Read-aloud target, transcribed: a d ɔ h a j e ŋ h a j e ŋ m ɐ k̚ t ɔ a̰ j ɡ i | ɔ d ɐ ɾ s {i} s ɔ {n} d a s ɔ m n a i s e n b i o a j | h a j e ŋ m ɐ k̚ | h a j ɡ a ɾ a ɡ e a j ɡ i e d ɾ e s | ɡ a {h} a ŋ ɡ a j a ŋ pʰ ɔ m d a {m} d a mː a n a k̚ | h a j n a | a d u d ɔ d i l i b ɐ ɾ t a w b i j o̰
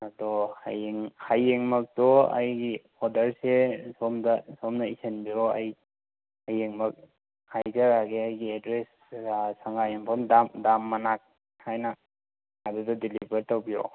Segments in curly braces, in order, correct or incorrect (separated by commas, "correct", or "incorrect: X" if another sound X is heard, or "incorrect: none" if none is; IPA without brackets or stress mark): incorrect: e, incorrect: m, incorrect: s, correct